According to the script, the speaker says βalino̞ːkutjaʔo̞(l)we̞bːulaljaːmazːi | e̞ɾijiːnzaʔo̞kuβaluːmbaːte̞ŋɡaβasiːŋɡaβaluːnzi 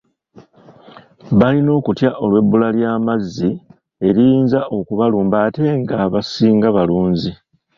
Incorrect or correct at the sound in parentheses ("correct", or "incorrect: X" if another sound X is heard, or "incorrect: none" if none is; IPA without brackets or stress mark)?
correct